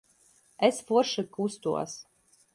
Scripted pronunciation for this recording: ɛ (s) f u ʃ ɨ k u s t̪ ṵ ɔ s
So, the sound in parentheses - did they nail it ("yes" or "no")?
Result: yes